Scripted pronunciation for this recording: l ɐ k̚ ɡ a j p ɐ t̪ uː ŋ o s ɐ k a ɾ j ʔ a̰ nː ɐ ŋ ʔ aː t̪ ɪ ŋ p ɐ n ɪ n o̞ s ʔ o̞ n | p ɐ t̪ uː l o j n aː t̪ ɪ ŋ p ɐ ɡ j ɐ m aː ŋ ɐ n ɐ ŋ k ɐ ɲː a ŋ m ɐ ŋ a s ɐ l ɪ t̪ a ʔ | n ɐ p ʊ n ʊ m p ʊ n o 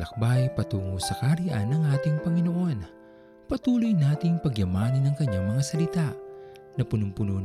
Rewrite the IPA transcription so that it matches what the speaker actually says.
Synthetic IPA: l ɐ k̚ b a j p ɐ t̪ uː ŋ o s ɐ k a ɾ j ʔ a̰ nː ɐ ŋ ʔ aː t̪ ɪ ŋ p ɐ ŋ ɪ n o̞ ʔ o̞ n | p ɐ t̪ uː l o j n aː t̪ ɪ ŋ p ɐ ɡ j ɐ m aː n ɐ n ɐ ŋ k ɐ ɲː a ŋ m ɐ ŋ a s ɐ l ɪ t̪ a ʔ | n ɐ p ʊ n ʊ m p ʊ n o